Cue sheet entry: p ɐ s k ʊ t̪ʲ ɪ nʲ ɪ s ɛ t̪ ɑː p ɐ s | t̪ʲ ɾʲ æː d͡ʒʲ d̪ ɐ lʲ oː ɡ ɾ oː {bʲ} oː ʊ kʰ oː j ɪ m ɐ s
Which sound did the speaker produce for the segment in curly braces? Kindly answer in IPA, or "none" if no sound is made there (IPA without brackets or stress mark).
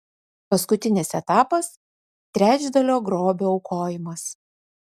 bʲ